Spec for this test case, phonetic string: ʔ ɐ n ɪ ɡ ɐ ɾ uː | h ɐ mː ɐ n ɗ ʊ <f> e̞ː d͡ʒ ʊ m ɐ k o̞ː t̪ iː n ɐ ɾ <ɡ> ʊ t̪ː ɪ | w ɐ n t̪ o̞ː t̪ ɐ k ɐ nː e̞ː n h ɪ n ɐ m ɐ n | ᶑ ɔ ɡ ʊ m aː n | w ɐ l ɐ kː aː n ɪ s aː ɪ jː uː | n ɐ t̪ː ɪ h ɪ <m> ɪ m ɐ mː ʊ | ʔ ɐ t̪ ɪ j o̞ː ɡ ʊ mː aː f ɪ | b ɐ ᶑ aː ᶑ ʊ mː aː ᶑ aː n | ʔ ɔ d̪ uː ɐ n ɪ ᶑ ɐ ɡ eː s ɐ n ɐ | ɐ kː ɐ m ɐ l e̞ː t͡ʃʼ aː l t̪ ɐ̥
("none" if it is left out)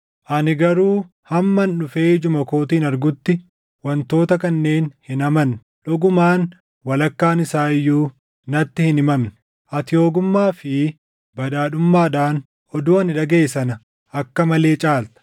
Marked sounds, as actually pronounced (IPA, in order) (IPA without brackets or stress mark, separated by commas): f, ɡ, n